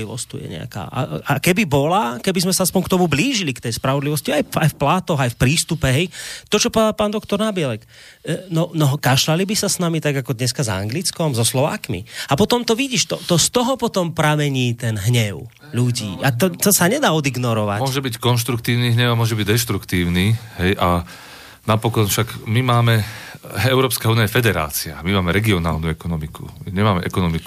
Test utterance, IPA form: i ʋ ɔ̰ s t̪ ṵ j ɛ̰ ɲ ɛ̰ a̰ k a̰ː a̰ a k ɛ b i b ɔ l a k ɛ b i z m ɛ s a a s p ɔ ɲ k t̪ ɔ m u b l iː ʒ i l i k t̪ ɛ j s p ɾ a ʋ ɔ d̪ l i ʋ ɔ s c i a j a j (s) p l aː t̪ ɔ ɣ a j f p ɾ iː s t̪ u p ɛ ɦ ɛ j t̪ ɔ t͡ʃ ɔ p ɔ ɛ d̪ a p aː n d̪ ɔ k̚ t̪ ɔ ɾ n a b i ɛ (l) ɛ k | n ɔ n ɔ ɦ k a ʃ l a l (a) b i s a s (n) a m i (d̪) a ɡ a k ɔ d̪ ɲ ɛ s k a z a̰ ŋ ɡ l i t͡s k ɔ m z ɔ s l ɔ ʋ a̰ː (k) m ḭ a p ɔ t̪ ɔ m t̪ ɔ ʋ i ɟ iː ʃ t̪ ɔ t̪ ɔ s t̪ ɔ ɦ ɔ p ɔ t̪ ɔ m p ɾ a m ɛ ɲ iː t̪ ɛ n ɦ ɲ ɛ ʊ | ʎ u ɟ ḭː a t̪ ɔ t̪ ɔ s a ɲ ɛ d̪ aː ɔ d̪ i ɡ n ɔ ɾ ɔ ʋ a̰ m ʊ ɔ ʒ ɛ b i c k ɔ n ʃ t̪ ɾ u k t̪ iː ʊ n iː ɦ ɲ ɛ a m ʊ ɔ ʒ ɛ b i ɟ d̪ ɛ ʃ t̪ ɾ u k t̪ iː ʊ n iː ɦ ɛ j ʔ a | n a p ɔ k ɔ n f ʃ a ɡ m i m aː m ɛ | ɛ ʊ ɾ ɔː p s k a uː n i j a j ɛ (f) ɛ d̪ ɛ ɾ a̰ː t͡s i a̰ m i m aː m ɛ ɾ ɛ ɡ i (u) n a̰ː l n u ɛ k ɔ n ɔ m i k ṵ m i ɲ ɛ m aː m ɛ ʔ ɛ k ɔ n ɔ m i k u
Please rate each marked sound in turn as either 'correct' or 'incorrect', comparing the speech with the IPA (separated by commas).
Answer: incorrect, correct, incorrect, correct, incorrect, correct, correct, incorrect